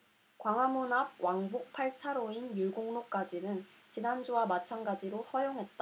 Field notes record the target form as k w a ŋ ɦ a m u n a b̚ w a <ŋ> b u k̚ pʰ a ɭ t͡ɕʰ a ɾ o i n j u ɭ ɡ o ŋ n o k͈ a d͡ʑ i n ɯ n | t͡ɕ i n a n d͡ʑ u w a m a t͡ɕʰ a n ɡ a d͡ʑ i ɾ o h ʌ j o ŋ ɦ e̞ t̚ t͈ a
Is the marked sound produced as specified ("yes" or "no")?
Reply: yes